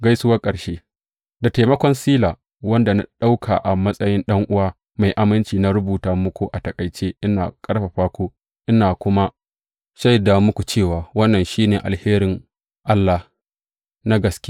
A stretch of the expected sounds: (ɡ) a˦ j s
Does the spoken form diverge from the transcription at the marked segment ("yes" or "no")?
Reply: no